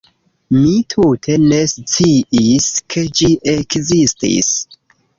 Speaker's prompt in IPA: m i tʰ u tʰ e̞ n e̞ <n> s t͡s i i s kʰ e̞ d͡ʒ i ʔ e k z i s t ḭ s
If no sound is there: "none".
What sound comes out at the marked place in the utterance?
none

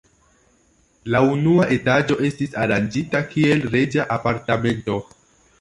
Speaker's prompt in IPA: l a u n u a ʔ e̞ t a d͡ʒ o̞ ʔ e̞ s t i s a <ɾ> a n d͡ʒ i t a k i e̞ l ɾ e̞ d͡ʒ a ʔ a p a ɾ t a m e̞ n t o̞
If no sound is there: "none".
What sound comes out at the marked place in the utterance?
ɾ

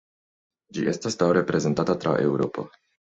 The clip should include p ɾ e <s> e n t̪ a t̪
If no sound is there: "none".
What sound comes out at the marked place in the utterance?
z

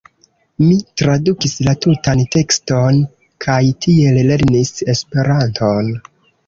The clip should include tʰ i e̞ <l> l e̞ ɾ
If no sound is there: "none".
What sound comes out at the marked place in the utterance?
l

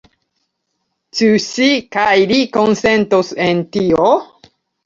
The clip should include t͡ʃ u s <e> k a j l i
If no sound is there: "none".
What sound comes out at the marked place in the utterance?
i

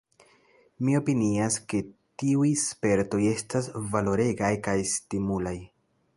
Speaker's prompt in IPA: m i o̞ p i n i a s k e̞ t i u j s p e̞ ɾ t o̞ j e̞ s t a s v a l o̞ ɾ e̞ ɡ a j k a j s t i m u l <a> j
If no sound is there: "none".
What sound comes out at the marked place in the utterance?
a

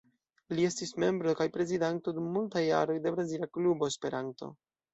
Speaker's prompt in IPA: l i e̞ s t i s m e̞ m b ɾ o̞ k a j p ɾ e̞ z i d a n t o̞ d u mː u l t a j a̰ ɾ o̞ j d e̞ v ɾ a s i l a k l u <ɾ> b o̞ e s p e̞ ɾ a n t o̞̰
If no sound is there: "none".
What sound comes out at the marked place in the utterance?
none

